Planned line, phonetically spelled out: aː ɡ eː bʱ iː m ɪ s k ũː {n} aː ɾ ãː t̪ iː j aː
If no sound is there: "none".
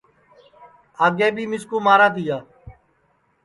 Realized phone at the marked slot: m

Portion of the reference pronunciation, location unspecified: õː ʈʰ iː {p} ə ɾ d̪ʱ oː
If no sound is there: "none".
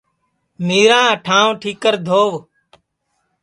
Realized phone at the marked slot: k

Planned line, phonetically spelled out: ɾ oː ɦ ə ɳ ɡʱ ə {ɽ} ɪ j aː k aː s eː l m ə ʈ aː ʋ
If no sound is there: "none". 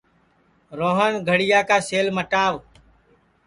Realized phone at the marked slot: ɽ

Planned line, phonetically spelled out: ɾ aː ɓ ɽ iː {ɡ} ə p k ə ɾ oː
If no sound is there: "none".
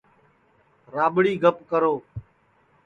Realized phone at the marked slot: ɡ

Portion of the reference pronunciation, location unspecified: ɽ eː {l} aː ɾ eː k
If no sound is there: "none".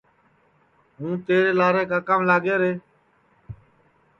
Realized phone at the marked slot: l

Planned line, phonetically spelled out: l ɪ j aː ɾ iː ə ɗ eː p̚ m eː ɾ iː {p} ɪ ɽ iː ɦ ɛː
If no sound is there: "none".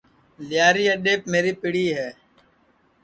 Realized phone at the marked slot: p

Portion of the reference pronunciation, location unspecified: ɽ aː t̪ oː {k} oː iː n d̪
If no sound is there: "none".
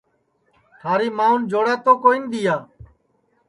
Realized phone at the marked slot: k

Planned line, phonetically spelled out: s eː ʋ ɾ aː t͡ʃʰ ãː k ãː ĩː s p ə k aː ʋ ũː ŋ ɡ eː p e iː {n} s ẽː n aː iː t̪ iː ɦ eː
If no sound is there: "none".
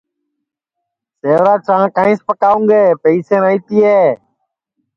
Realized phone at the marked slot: none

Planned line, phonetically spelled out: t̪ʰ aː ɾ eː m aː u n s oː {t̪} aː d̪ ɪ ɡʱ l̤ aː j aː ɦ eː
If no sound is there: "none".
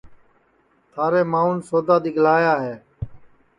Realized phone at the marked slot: d̪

